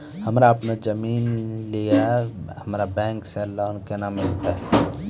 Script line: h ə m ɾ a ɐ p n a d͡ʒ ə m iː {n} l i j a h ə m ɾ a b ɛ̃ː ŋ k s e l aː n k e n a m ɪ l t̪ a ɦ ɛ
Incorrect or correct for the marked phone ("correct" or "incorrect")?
correct